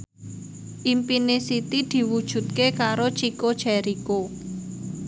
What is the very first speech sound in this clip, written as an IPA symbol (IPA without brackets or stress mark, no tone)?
ʔ